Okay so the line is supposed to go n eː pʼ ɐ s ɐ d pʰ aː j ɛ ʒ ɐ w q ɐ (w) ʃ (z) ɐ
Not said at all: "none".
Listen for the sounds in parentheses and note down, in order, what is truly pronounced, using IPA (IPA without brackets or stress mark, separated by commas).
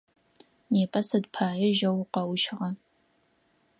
w, ʁ